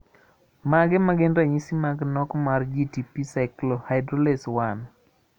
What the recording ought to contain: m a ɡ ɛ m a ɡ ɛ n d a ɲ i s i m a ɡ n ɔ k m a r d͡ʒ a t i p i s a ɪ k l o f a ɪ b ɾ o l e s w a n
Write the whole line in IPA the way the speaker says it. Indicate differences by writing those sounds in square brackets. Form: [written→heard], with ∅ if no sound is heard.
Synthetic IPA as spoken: m a ɡ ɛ m a ɡ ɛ n d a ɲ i s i m a ɡ n ɔ k m a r d͡ʒ [a→i] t i p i s a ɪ k l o [f→h] a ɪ [b→d] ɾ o l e s w a n

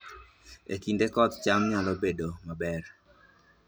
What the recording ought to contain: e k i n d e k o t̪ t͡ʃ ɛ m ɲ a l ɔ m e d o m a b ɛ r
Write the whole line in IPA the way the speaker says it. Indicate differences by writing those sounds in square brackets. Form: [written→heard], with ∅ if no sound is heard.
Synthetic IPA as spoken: e k i n d e k [o→ɔ] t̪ t͡ʃ [ɛ→a] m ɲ a l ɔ [m→b] e d o m a b ɛ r

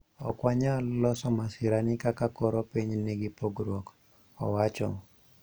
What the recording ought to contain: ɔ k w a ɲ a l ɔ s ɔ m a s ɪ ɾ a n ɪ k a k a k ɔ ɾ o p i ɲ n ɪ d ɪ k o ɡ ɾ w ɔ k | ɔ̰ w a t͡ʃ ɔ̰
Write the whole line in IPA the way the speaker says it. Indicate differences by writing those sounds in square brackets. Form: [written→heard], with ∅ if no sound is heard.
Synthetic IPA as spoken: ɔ k w a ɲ a l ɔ s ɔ m a s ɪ ɾ a n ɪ k a k a k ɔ ɾ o p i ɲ n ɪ [d→ɡ] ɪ [k→p] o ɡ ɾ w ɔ k | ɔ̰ w a t͡ʃ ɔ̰

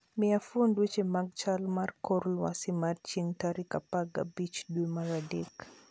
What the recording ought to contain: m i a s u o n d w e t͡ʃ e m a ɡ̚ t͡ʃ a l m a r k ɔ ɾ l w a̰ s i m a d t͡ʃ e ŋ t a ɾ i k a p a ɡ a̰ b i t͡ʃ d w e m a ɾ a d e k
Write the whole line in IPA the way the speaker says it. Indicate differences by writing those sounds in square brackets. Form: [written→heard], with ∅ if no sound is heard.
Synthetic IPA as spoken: m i a [s→f] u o n d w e t͡ʃ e m a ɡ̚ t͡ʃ a l m a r k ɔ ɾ l w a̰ s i m a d t͡ʃ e ŋ t a ɾ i k a p a ɡ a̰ b i t͡ʃ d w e m a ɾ a d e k

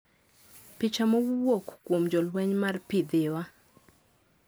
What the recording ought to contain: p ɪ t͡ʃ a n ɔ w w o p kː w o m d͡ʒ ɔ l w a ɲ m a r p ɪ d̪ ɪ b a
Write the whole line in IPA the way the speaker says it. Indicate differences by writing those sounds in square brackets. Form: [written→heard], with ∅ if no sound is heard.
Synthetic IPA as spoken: p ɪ t͡ʃ a [n→m] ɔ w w o [p→k] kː w o m d͡ʒ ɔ l w [a→ɛ] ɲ m a r p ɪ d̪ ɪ [b→w] a

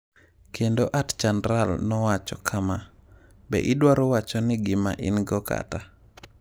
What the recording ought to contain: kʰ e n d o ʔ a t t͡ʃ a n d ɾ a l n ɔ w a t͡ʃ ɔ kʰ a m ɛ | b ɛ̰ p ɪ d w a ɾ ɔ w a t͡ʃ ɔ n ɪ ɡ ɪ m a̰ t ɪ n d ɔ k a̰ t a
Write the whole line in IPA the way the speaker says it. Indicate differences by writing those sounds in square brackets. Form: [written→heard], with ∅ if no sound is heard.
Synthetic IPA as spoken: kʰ e n d o ʔ a t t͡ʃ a n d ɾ a l n ɔ w a t͡ʃ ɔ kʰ a m [ɛ→a] | b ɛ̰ [p→ʔ] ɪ d w a ɾ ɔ w a t͡ʃ ɔ n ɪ ɡ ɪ m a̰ [t→ʔ] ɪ n [d→ɡ] ɔ k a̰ t a

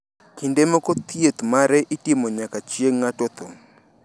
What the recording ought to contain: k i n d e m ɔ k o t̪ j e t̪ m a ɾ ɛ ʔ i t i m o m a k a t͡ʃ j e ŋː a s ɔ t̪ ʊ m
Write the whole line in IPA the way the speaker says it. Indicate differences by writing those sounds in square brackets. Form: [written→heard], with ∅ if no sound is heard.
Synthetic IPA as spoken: k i n d e m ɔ k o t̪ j e t̪ m a ɾ ɛ ʔ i t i m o [m→ɲ] a k a t͡ʃ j e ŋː a [s→t] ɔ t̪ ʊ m

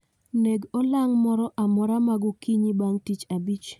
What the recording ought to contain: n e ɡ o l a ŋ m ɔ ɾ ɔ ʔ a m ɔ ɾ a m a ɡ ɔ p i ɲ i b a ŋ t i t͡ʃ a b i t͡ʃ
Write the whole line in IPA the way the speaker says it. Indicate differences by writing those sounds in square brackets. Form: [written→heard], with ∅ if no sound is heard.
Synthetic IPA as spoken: n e ɡ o l a ŋ m ɔ ɾ ɔ ʔ a m ɔ ɾ a m a ɡ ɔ [p→k] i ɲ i b a ŋ t i t͡ʃ a b i t͡ʃ

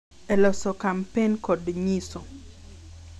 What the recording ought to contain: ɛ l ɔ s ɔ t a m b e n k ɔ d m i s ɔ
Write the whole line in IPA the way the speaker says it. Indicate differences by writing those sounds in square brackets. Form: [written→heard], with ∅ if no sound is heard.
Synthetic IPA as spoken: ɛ l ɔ s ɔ [t→k] a m [b→p] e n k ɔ d [m→ɲ] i s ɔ

